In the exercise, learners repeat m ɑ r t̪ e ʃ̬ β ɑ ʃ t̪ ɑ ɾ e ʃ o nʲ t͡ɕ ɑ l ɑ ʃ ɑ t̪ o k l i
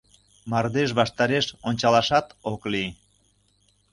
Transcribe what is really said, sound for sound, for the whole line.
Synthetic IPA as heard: m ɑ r d̪ e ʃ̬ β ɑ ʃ t̪ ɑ ɾ e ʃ o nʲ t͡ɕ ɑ l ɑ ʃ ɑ t̪ o k l i